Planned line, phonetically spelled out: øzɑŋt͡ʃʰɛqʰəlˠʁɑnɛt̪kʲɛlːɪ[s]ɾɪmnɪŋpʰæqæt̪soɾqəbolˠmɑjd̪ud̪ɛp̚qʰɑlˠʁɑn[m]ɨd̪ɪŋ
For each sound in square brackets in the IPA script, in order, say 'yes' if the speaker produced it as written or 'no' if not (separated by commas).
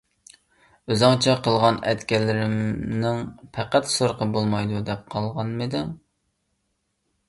no, yes